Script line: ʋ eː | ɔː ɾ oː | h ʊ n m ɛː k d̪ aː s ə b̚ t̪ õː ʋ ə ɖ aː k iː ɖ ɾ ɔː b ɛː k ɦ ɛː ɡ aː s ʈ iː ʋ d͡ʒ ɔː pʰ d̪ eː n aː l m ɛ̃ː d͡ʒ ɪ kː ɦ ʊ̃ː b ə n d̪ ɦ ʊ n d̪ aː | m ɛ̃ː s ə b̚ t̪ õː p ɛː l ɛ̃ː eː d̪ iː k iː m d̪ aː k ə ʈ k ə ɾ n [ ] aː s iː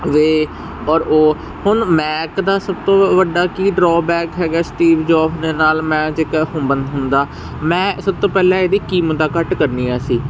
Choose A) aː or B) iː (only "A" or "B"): B